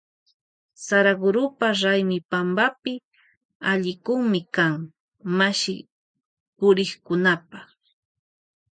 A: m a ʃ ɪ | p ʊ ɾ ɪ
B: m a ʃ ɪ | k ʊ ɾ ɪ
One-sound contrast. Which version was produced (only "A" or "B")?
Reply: A